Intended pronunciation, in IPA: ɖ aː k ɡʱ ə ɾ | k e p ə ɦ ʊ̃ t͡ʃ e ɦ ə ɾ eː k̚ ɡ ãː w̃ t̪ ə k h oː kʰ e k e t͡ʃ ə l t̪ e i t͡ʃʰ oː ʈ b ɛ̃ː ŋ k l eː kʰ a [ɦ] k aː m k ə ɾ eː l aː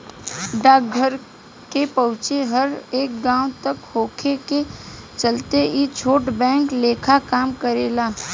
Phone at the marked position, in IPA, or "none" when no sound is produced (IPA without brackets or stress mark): none